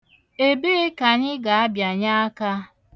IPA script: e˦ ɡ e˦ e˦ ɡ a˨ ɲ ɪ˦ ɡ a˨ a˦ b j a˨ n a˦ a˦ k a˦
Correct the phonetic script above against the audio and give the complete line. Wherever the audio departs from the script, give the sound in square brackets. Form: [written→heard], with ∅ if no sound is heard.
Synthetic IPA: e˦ [ɡ→b] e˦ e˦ [ɡ→k] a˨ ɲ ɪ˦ ɡ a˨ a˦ b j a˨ [n→ɲ] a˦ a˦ k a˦